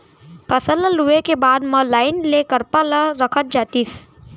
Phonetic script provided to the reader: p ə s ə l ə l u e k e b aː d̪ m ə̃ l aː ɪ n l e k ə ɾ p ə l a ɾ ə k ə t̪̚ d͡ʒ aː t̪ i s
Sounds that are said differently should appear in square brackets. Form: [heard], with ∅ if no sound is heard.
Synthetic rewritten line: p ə s ə l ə l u e k e b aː d̪ m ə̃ l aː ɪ n l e k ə ɾ p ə l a ɾ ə [kʰ] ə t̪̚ d͡ʒ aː t̪ i s